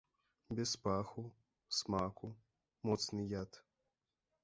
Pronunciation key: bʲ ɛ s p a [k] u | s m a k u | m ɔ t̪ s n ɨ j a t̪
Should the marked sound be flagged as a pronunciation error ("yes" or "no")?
yes